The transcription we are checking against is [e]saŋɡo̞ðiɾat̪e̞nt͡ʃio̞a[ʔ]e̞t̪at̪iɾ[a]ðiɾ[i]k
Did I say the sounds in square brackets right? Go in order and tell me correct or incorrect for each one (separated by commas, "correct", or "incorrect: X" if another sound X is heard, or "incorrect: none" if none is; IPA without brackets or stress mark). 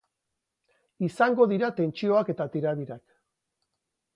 incorrect: i, incorrect: k, correct, incorrect: a